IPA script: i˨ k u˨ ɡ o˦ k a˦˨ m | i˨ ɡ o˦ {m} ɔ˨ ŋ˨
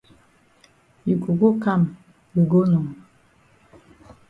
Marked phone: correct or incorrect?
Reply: incorrect: n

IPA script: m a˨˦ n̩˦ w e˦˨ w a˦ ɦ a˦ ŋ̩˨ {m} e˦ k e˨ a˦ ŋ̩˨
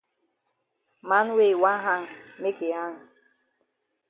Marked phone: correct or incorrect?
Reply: correct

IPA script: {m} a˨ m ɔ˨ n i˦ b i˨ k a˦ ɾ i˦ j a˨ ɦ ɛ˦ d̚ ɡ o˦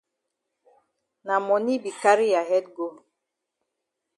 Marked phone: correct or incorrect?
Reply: incorrect: n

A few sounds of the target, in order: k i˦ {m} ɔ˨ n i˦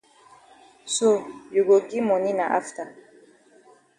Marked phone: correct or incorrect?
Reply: correct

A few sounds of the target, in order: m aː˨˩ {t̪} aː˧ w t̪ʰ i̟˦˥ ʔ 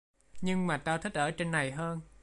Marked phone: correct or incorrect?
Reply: correct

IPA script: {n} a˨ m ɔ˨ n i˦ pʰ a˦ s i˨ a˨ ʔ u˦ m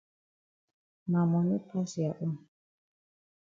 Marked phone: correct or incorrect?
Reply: incorrect: m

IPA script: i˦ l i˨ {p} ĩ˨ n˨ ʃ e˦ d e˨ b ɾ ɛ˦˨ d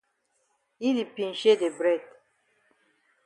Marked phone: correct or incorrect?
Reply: correct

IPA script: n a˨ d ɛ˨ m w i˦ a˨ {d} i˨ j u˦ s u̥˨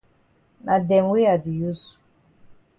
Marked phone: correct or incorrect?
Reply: correct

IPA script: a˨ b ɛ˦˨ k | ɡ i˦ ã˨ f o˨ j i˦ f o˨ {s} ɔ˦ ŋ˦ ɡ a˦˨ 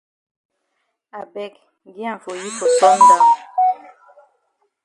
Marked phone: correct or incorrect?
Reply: correct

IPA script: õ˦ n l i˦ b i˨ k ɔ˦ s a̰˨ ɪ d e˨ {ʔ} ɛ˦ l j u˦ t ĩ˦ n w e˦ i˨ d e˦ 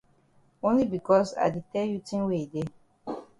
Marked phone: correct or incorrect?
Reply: incorrect: t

